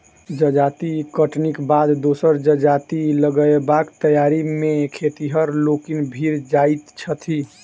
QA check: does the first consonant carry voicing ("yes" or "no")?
yes